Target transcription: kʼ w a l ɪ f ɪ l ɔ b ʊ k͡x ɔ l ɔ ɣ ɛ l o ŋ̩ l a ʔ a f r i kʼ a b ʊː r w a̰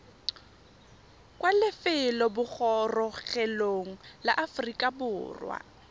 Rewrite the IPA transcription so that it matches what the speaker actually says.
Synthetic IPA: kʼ w a l ɪ f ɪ l ɔ b ʊ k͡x ɔ r ɔ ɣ ɛ l o ŋ̩ l a ʔ a f r i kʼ a b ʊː r w a̰

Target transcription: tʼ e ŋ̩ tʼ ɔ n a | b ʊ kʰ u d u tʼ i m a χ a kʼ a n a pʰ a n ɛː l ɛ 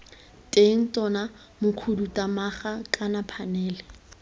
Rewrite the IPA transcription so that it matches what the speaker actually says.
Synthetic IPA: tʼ e ŋ̩ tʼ ɔ n a | m ʊ kʰ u d u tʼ a m a χ a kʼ a n a pʰ a n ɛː l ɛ

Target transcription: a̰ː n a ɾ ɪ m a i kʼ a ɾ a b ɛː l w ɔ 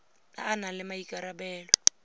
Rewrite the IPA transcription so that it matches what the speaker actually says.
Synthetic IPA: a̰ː n a l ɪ m a i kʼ a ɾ a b ɛː l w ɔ

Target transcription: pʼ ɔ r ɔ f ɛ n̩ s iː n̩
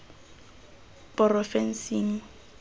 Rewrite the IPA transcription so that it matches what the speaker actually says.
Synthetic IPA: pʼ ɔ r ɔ f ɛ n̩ s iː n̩

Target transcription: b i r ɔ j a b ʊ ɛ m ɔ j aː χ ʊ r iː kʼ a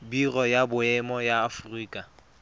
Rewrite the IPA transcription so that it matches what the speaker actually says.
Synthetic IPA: b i r ɔ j a b ʊ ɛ m ɔ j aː f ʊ r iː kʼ a

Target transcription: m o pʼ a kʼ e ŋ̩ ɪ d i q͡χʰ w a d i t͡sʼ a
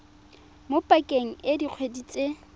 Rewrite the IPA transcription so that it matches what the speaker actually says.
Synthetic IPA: m o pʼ a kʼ e ŋ̩ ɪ d i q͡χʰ w e d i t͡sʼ e

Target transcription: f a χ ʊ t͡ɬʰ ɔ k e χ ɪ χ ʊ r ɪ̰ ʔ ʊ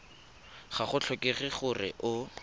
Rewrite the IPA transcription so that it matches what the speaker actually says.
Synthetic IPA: χ a χ ʊ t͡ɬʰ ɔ k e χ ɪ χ ʊ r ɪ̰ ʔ ʊ

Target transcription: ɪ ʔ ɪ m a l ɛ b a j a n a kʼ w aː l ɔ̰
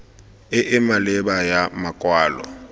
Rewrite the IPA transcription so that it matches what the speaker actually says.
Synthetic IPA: ɪ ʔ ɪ m a l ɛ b a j a m a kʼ w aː l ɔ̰

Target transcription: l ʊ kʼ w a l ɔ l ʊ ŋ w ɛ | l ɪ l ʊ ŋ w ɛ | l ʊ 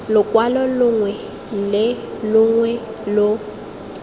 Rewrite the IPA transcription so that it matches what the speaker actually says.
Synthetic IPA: l ʊ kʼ w a l ɔ l ʊ ŋ w ɛ | l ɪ l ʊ ŋ w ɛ | l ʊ

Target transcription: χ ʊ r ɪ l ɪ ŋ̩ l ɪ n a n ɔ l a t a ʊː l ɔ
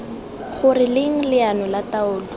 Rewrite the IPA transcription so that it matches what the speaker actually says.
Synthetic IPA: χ ʊ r ɪ l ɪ ŋ̩ l ɪ a n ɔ l a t a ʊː l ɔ

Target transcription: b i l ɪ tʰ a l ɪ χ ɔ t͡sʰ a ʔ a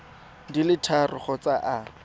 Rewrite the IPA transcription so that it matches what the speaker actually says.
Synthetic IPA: d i l ɪ tʰ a r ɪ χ ɔ t͡s a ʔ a

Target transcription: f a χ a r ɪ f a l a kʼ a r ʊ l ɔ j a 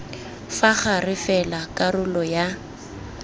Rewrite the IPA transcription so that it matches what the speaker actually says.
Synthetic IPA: f a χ a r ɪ f ɛ l a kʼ a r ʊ l ɔ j a

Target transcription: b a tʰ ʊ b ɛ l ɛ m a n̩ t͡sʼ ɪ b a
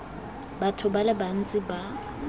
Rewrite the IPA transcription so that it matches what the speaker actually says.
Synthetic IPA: b a tʰ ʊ b a l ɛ b a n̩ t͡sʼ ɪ b a

